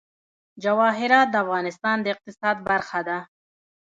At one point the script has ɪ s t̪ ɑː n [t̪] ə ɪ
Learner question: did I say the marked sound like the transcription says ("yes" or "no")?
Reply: no